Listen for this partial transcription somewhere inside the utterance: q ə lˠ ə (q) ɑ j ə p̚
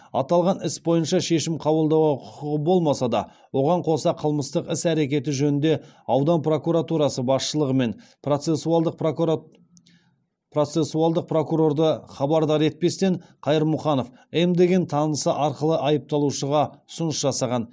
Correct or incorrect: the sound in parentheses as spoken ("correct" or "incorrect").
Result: incorrect